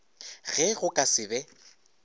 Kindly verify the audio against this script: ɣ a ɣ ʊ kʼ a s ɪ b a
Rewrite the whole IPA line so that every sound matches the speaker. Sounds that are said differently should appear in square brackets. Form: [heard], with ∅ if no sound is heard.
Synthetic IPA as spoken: ɣ [ɛ] ɣ ʊ kʼ a s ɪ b [ɛ]